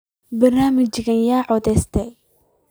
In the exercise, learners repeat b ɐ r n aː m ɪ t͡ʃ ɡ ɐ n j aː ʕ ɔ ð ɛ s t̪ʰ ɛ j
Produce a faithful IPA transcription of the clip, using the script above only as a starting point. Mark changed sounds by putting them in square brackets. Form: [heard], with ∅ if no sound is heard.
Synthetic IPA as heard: b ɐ r n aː m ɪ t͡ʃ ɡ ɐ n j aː ʕ ɔ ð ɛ s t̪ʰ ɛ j